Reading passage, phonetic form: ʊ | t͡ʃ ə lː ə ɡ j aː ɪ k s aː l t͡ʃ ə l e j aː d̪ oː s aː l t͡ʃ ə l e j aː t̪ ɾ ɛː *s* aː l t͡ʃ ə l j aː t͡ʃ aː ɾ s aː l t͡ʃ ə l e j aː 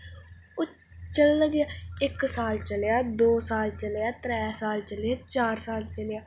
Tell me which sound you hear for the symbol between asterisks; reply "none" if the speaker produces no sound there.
s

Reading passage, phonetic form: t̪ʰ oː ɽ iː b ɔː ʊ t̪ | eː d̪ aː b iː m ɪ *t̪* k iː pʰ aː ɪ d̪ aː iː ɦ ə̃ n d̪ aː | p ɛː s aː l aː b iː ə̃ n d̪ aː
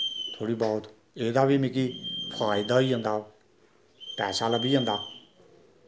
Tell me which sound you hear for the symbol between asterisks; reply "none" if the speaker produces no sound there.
none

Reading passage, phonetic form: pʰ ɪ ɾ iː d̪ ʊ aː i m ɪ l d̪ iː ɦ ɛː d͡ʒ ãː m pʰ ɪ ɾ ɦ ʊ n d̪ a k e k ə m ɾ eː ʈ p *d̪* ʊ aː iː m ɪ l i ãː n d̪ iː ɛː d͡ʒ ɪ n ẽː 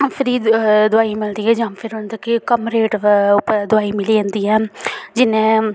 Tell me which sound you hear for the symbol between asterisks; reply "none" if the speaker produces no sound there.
d̪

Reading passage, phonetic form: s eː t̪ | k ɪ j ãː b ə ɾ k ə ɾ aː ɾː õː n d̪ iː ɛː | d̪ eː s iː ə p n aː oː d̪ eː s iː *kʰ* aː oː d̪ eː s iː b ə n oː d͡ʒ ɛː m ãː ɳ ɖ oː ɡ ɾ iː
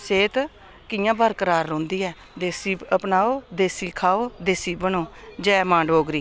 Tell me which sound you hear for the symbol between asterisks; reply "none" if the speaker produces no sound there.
kʰ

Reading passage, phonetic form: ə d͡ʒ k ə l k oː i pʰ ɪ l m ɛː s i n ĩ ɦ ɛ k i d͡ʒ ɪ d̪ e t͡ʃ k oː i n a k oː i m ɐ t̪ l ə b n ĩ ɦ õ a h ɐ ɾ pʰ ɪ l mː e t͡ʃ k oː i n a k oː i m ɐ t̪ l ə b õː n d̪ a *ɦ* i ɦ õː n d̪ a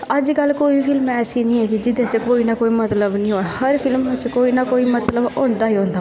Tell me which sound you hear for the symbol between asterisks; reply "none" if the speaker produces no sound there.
ɦ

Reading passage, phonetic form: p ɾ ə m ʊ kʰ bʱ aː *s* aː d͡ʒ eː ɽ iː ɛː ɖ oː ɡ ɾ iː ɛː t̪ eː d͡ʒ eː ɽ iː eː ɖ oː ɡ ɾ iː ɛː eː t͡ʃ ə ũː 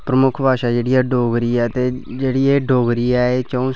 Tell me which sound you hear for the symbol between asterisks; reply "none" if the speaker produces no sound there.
ʃ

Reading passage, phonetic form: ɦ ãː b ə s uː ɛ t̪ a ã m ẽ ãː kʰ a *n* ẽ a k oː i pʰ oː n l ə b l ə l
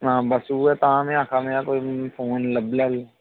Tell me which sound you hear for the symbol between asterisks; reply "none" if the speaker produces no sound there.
m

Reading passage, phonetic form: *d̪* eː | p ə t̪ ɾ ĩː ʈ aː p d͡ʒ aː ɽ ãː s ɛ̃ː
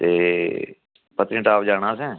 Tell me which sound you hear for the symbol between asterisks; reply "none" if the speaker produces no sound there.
t̪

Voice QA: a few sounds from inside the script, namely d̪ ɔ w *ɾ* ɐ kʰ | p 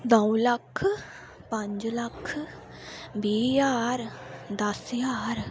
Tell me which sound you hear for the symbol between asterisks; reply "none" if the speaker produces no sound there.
l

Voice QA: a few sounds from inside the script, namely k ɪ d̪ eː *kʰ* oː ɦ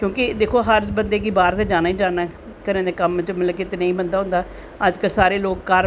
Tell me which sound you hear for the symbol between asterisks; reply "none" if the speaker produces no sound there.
kʰ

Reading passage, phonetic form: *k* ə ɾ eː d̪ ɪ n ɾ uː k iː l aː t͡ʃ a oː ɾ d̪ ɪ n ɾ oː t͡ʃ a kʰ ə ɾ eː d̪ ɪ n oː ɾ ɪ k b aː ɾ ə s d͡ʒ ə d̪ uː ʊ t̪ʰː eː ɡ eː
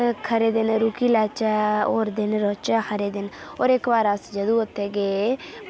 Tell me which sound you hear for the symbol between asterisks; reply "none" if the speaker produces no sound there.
kʰ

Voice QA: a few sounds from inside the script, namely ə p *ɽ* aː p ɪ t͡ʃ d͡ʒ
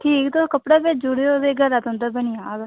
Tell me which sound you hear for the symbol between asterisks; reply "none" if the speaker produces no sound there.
ɽ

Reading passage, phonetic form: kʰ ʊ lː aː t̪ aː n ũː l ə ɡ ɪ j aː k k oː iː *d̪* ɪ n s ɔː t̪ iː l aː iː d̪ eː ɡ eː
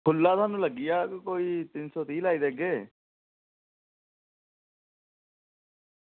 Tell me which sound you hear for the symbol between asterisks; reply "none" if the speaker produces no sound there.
t̪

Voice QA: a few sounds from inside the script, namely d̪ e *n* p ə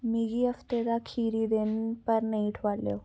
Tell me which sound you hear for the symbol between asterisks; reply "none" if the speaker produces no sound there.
n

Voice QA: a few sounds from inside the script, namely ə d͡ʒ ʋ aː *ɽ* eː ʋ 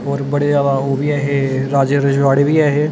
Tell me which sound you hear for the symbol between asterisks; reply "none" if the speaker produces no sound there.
ɽ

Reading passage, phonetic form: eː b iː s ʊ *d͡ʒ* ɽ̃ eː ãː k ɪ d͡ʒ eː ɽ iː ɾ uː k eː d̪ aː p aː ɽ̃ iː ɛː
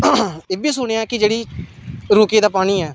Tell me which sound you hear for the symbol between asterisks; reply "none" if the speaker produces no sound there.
none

